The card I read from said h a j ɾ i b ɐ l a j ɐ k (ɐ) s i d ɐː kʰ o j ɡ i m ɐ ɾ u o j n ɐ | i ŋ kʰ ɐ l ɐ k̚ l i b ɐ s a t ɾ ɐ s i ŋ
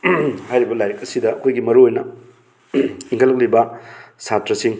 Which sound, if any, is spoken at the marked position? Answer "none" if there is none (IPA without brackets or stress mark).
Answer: ɐ